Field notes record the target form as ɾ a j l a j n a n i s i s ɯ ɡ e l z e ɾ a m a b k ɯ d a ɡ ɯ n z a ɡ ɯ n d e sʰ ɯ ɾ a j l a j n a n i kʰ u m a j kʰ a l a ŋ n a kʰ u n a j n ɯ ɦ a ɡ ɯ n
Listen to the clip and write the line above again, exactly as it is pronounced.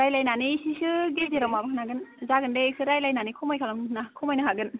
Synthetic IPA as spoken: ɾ a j l a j n a n i s i s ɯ ɡ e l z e ɾ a m a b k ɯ n a ɡ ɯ n z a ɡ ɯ n d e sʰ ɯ ɾ a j l a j n a n i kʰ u m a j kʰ a l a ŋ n a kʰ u m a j n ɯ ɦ a ɡ ɯ n